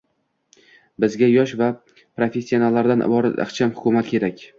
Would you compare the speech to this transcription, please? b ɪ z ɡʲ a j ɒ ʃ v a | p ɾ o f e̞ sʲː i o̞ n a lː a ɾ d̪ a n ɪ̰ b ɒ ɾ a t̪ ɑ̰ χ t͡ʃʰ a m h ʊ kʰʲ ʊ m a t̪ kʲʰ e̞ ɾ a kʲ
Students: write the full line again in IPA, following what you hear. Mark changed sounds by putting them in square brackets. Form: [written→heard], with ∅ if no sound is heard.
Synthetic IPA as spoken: b ɪ z ɡʲ a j ɒ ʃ v a | p ɾ o f e̞ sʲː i o̞ n a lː a ɾ d̪ a n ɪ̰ b ɒ ɾ a t̪ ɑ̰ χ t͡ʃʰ a m h ʊ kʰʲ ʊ m a t̪ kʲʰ e̞ ɾ a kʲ